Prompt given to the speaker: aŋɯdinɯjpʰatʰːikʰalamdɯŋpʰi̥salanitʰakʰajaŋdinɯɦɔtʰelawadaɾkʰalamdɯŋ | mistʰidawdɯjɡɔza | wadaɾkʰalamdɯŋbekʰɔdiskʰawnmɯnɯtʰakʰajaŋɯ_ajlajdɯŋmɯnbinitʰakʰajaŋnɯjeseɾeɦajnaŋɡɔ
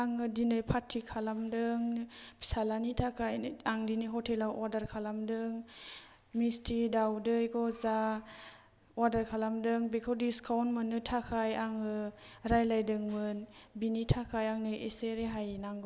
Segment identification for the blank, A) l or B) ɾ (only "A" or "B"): B